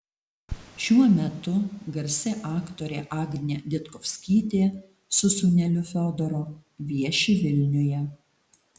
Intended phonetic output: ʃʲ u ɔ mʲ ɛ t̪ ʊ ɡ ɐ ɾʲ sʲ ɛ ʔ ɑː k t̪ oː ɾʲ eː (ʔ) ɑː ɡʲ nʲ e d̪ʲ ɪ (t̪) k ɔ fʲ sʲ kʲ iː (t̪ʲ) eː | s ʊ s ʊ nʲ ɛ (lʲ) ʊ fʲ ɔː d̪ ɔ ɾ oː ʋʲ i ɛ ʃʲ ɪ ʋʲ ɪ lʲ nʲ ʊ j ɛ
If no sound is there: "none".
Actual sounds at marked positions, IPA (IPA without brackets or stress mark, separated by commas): ʔ, t̪, t̪ʲ, lʲ